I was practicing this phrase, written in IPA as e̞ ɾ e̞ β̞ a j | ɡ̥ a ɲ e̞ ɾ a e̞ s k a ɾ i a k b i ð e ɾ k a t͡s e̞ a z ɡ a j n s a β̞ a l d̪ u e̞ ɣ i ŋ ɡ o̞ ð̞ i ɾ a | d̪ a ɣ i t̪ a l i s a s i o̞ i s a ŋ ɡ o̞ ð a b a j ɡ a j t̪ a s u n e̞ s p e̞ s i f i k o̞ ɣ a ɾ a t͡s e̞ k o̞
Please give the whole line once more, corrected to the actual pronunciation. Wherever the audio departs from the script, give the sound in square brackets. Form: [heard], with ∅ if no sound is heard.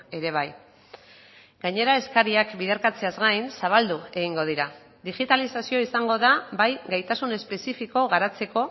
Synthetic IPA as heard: e̞ ɾ e̞ β̞ a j | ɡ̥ a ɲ e̞ ɾ a e̞ s k a ɾ i a k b i ð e ɾ k a t͡s e̞ a z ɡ a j n s a β̞ a l d̪ u e̞ ɣ i ŋ ɡ o̞ ð̞ i ɾ a | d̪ [i] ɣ i t̪ a l i s a s i o̞ i s a ŋ ɡ o̞ ð a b a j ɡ a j t̪ a s u n e̞ s p e̞ s i f i k o̞ ɣ a ɾ a t͡s e̞ k o̞